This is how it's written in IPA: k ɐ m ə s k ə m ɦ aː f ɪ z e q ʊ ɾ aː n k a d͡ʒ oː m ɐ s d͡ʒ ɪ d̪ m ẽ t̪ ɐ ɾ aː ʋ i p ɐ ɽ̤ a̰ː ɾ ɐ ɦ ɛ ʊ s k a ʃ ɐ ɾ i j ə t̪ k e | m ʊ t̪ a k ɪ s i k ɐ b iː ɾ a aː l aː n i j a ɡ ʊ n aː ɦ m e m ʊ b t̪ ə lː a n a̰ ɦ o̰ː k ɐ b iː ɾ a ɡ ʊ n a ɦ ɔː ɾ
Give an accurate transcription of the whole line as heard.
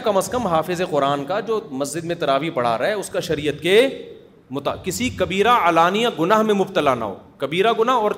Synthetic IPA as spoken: k ɐ m ə s k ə m ɦ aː f ɪ z e q ʊ ɾ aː n k a d͡ʒ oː m ɐ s d͡ʒ ɪ d̪ m ẽ t̪ ɐ ɾ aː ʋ i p ɐ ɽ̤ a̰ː ɾ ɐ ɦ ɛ ʊ s k a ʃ ɐ ɾ i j ə t̪ k e | m ʊ t̪ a k ɪ s i k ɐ b iː ɾ a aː l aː n i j a ɡ ʊ n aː ɦ m ẽ m ʊ b t̪ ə l a n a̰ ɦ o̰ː k ɐ b iː ɾ a ɡ ʊ n a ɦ ɔː ɾ